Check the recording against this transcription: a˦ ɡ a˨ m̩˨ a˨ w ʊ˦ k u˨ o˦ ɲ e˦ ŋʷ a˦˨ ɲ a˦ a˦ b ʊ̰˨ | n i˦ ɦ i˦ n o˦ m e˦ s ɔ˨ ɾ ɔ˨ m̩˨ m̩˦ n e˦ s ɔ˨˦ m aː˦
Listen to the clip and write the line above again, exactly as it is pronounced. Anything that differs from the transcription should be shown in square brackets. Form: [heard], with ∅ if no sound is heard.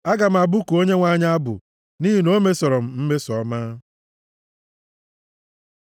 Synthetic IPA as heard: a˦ ɡ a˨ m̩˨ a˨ [b] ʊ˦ k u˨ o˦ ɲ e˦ ŋʷ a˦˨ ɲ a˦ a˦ b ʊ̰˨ | n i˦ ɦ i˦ n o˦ m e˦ s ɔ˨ ɾ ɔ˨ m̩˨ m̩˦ [m] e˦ s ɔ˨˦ m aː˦